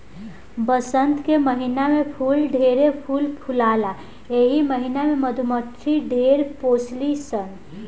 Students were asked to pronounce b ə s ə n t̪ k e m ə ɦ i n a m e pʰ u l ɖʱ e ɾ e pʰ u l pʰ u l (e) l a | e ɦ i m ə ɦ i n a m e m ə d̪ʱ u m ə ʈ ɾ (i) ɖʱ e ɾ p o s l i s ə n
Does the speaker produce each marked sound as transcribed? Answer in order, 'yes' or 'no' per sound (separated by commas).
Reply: no, yes